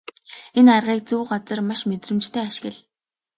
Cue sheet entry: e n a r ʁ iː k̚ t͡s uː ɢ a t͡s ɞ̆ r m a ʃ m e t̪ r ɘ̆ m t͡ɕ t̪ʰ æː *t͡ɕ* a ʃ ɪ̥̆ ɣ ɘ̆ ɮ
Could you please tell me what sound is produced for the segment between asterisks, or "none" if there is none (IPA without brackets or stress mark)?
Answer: none